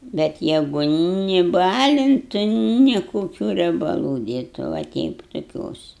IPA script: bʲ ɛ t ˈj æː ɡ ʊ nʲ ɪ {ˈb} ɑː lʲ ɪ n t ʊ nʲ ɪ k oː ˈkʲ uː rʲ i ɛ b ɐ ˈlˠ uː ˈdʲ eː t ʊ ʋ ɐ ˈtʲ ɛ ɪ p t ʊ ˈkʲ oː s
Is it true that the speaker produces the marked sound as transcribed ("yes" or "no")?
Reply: yes